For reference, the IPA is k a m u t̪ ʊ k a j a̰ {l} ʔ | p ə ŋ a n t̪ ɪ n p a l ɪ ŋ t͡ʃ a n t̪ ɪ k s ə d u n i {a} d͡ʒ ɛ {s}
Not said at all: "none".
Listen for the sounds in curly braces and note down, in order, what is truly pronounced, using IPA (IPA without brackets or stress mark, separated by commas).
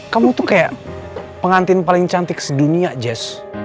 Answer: none, a, s